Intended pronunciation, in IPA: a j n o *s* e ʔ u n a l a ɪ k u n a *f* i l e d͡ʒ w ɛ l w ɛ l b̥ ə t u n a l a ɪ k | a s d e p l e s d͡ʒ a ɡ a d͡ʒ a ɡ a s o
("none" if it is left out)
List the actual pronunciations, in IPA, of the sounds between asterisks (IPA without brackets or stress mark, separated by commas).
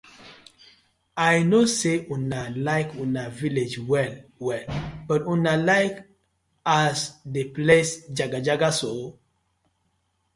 s, v